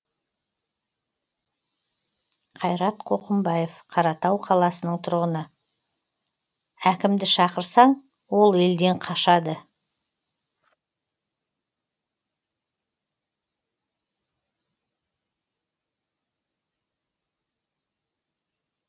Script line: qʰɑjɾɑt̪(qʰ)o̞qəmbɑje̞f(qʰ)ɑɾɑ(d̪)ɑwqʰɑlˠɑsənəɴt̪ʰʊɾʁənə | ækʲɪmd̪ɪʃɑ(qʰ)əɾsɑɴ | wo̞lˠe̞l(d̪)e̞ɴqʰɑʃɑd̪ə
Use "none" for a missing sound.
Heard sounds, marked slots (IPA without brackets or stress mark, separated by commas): qʰ, qʰ, t̪, q, d̪